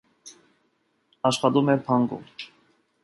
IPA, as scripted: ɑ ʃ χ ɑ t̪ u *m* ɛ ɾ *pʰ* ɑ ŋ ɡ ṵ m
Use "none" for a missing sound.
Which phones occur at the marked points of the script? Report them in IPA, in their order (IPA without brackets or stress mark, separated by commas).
m, pʰ